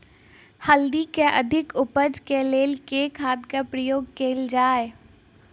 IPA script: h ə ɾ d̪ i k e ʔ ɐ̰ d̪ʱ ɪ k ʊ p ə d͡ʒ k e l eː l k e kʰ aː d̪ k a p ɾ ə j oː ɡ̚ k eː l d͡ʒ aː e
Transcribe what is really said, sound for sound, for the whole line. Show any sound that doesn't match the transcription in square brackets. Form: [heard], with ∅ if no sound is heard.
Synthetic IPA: h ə [l] d̪ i k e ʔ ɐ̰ d̪ʱ ɪ k ʊ p ə d͡ʒ k e l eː l k e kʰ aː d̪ k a p ɾ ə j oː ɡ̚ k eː l d͡ʒ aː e